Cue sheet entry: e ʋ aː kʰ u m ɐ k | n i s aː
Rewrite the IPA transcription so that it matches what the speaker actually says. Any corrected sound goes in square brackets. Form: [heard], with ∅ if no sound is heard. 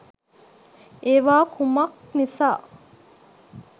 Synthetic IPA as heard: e ʋ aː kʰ u m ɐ k | n i s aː